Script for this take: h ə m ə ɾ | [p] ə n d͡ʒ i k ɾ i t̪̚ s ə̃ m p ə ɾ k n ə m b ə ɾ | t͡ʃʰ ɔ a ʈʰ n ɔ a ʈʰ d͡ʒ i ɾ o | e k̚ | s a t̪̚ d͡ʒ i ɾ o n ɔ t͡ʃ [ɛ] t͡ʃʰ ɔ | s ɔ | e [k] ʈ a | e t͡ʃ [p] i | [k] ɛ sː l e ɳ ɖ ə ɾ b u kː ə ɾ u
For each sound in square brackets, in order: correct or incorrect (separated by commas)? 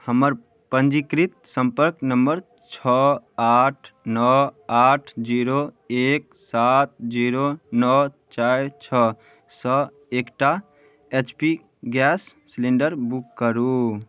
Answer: correct, incorrect, correct, correct, incorrect